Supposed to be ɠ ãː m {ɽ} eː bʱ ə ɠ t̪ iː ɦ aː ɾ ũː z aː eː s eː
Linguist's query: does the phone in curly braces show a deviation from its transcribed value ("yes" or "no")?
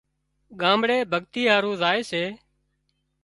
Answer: no